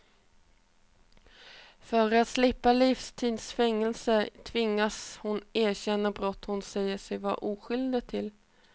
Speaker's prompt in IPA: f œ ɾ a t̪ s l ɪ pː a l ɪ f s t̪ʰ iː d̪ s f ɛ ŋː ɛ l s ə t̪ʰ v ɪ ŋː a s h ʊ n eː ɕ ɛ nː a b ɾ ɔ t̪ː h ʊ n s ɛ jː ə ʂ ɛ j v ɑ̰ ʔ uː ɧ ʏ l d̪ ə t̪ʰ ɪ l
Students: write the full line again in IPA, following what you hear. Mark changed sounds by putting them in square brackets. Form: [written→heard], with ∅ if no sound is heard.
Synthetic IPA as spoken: f œ ɾ a t̪ s l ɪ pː a l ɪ f s t̪ʰ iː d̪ s f ɛ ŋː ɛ l s ə t̪ʰ v ɪ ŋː a s h ʊ n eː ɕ ɛ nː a b ɾ ɔ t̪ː h ʊ n s ɛ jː ə ʂ ɛ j v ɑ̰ ʔ uː ɧ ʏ l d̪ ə t̪ʰ ɪ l